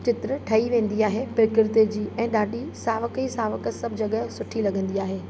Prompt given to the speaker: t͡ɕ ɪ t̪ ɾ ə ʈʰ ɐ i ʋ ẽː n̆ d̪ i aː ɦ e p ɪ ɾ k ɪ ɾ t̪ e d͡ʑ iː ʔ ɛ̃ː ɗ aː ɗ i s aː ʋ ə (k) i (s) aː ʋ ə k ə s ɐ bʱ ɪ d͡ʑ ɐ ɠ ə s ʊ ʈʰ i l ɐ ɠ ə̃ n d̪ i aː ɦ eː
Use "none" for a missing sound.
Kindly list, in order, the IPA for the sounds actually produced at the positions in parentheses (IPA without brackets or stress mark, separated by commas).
k, s